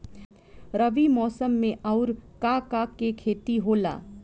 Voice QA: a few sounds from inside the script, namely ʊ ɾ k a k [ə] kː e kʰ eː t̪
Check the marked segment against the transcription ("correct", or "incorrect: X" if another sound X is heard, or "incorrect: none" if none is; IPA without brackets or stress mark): incorrect: a